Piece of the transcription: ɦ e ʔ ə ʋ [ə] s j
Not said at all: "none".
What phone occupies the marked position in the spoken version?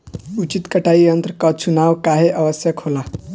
ə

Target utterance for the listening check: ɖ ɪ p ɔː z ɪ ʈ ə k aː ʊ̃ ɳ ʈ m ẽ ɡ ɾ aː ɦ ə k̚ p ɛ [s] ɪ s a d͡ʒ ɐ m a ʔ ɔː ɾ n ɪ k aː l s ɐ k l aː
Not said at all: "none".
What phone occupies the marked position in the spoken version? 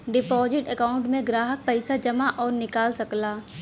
none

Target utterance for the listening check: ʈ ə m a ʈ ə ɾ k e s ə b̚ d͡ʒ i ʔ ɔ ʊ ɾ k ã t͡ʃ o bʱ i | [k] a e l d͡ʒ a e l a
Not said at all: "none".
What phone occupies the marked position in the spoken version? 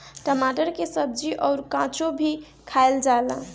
kʰ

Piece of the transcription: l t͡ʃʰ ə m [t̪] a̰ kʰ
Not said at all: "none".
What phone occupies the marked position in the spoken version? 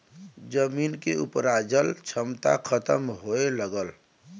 t̪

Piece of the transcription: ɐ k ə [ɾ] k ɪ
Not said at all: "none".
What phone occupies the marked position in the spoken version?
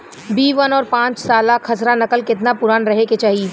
l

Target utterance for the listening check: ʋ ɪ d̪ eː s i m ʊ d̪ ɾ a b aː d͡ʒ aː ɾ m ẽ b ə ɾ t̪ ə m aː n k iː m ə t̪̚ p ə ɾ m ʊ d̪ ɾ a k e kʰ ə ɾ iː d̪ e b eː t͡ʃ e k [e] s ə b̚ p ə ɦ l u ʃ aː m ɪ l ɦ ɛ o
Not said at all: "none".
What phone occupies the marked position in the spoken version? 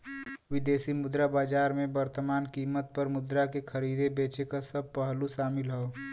a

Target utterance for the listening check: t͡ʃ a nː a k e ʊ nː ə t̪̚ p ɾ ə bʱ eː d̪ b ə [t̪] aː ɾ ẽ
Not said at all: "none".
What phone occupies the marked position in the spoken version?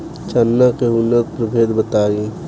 t̪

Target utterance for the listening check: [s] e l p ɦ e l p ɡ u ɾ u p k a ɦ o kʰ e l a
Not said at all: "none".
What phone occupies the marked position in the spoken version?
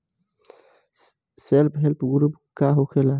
s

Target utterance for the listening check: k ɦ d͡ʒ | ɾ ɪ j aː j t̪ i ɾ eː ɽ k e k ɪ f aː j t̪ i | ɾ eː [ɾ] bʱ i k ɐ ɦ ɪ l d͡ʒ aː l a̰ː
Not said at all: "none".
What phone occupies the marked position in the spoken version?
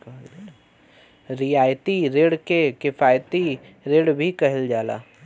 ɽ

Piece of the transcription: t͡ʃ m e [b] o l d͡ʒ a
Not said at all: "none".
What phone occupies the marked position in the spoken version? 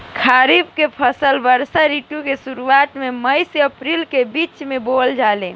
b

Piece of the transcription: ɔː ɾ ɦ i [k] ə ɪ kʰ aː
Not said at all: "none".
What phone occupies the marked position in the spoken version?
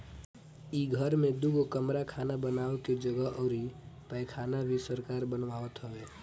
p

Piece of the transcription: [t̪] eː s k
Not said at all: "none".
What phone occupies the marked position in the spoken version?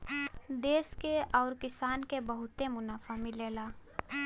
d̪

